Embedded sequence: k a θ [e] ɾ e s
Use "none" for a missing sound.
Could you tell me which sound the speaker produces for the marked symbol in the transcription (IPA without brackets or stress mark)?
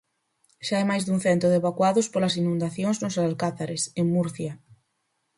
a